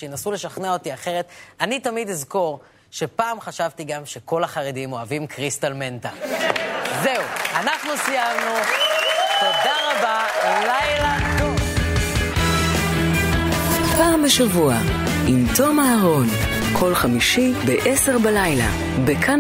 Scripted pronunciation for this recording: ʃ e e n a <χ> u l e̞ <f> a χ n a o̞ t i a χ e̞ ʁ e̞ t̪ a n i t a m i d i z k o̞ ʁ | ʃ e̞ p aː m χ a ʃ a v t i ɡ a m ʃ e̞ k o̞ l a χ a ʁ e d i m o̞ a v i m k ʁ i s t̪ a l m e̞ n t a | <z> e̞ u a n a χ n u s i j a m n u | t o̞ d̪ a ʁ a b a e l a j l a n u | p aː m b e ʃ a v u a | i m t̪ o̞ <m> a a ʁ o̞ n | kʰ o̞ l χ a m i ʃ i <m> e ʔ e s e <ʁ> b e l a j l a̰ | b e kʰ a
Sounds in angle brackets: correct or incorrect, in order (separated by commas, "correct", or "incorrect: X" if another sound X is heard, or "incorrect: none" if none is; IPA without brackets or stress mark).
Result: incorrect: s, incorrect: ʃ, correct, correct, incorrect: b, correct